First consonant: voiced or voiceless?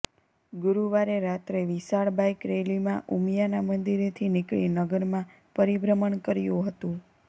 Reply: voiced